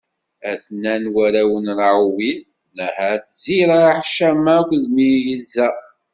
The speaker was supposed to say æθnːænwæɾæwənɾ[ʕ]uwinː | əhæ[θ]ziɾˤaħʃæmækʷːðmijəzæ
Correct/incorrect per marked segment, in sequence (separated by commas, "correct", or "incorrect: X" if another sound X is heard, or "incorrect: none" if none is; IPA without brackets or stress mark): correct, correct